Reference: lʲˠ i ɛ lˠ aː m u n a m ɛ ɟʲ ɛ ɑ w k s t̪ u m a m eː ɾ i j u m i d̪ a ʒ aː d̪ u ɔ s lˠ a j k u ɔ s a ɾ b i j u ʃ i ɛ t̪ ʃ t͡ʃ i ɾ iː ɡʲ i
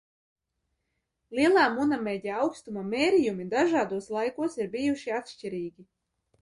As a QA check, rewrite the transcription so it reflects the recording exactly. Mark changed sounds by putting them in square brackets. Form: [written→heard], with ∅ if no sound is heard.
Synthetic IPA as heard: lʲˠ i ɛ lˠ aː m u n a m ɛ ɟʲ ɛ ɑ w k s t̪ u m a m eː ɾ i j u m i d̪ a ʒ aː d̪ u ɔ s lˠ a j k u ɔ s [a→i] ɾ b i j u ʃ i [ɛ→a] t̪ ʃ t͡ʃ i ɾ iː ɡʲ i